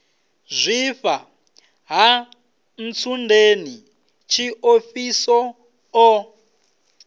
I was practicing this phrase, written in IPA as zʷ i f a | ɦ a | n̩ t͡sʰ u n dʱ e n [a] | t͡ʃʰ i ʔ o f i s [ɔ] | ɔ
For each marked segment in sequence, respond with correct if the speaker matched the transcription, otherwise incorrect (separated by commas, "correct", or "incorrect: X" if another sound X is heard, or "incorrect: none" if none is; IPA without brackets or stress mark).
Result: incorrect: i, correct